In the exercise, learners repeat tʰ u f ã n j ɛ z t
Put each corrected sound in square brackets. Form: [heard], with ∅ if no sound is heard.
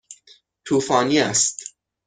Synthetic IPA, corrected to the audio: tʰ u f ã n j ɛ [s] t

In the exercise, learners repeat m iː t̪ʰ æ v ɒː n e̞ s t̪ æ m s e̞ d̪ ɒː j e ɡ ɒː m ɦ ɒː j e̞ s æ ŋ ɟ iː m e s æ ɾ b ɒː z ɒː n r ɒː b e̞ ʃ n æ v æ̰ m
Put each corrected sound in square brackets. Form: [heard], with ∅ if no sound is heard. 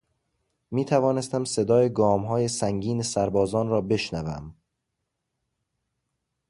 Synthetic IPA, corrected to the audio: m iː t̪ʰ æ v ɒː n e̞ s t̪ æ m s e̞ d̪ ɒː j e ɡ ɒː m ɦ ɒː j e̞ s æ ŋ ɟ iː [n] e s æ ɾ b ɒː z ɒː n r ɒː b e̞ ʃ n æ v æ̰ m

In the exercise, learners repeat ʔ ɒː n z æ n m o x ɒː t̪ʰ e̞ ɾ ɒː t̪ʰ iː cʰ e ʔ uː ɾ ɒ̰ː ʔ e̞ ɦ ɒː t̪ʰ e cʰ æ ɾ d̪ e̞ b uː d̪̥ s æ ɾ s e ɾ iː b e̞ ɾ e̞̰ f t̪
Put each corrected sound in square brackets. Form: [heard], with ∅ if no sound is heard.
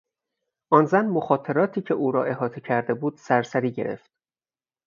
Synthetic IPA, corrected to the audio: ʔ ɒː n z æ n m o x ɒː t̪ʰ e̞ ɾ ɒː t̪ʰ iː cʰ e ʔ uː ɾ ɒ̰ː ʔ e̞ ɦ ɒː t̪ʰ e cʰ æ ɾ d̪ e̞ b uː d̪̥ s æ ɾ s [æ] ɾ iː [ɟ] e̞ ɾ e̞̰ f t̪

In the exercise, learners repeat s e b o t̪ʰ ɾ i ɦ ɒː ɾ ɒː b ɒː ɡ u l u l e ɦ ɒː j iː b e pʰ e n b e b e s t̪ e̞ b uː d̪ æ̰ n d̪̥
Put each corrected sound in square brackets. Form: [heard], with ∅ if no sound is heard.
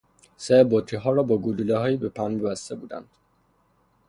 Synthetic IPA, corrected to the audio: s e b o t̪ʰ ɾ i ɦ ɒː ɾ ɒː b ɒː ɡ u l u l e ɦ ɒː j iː b e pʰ [æ] n b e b [æ] s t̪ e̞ b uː d̪ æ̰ n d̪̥

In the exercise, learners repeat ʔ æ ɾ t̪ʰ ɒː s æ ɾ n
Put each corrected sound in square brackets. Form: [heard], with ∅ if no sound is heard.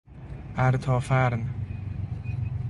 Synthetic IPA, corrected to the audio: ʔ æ ɾ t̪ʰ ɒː [f] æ ɾ n

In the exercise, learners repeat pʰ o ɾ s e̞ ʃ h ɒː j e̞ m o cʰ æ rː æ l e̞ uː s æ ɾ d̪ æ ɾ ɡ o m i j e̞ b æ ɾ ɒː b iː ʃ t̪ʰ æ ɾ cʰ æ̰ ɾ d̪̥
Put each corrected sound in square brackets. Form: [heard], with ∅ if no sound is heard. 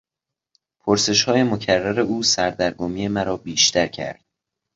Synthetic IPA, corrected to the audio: pʰ o ɾ s e̞ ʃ h ɒː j e̞ m o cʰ æ rː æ [ɾ] e̞ uː s æ ɾ d̪ æ ɾ ɡ o m i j e̞ [m] æ ɾ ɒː b iː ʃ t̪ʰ æ ɾ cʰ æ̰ ɾ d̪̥

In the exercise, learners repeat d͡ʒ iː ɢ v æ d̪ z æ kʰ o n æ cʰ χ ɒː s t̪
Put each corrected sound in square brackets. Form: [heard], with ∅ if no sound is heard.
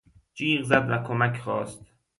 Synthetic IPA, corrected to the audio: d͡ʒ iː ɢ [z] æ d̪ [v] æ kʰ o [m] æ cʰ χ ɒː s t̪

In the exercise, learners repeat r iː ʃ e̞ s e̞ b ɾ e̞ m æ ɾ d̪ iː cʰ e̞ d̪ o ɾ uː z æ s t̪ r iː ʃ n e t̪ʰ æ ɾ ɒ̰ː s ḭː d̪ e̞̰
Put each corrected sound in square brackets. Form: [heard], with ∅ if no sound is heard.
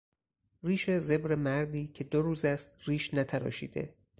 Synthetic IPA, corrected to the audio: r iː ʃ e̞ [z] e̞ b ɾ e̞ m æ ɾ d̪ iː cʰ e̞ d̪ o ɾ uː z æ s t̪ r iː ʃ n [æ] t̪ʰ æ ɾ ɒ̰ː [ʃ] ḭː d̪ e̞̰

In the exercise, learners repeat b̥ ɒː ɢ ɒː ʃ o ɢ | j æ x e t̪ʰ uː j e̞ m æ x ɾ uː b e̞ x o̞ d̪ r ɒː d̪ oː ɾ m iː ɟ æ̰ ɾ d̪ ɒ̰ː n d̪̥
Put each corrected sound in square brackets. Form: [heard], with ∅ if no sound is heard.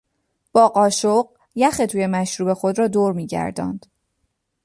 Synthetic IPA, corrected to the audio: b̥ ɒː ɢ ɒː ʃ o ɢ | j æ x e t̪ʰ uː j e̞ m æ [ʃ] ɾ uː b e̞ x o̞ d̪ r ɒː d̪ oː ɾ m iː ɟ æ̰ ɾ d̪ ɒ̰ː n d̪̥

